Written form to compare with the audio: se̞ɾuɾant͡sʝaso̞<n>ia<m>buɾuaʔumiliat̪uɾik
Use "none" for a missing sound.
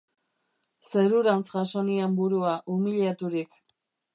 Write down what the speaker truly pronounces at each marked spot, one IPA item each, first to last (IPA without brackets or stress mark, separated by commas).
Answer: n, m